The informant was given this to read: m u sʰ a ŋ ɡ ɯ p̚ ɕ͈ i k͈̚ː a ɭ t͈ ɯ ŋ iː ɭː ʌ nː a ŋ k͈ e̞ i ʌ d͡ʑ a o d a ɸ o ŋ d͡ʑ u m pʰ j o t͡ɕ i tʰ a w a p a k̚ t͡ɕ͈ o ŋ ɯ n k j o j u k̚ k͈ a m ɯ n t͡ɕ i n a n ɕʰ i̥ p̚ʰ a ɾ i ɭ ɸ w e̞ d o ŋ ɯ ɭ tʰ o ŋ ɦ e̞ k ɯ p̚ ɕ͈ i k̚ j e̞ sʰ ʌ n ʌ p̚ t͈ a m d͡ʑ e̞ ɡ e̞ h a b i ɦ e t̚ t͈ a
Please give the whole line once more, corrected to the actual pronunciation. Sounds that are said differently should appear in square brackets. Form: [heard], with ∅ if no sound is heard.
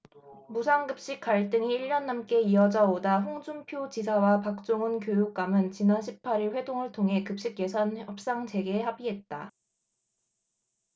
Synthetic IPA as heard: m u sʰ a ŋ ɡ ɯ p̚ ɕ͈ i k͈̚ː a ɭ t͈ ɯ ŋ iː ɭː ʌ nː a [m] k͈ e̞ i ʌ d͡ʑ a o d a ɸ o ŋ d͡ʑ u m pʰ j o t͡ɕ i [sʰ] a w a p a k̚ t͡ɕ͈ o ŋ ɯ n k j o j u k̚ k͈ a m ɯ n t͡ɕ i n a n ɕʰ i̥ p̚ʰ a ɾ i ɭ ɸ w e̞ d o ŋ ɯ ɭ tʰ o ŋ ɦ e̞ k ɯ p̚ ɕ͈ i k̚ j e̞ sʰ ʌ n ʌ p̚ [s͈] a [ŋ] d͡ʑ e̞ ɡ e̞ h a b i ɦ e t̚ t͈ a